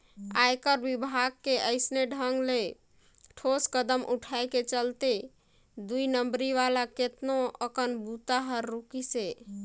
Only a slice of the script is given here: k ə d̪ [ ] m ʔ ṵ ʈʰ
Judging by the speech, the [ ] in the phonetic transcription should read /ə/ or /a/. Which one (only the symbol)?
ə